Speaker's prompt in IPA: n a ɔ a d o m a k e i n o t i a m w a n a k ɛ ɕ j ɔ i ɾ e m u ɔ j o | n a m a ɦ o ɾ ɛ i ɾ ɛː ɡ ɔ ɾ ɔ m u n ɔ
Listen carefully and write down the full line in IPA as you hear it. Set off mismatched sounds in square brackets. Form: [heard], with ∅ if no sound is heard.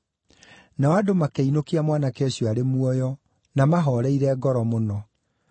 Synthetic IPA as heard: n a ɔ a d o m a k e i n o [k] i a m w a n a k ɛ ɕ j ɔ [a] ɾ e m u ɔ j [ɔ] | n a m a ɦ [ɔ] ɾ ɛ i ɾ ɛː ɡ ɔ ɾ ɔ m [o] n ɔ